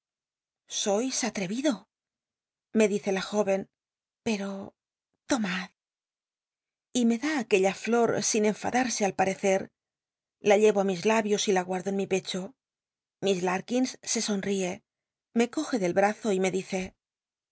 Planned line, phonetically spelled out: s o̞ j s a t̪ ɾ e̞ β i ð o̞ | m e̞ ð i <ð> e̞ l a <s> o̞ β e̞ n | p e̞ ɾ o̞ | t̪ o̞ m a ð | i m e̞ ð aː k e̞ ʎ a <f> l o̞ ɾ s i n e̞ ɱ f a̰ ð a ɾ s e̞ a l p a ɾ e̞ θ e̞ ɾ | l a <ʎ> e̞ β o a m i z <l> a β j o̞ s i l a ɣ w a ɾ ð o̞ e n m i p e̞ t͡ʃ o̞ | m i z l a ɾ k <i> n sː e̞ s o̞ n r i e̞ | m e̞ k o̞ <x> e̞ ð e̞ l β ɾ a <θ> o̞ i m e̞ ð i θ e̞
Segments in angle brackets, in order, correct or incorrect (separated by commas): incorrect, incorrect, correct, correct, correct, correct, correct, correct